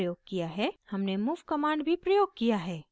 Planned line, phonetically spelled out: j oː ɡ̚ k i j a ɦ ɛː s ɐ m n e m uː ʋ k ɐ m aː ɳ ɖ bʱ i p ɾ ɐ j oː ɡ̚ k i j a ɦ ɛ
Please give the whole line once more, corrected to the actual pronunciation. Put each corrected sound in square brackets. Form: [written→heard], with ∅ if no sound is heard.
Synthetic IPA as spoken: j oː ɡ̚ k i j a ɦ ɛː [s→h] ɐ m n e m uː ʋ k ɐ m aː ɳ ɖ bʱ i p ɾ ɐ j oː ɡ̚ k i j a ɦ [ɛ→ɛː]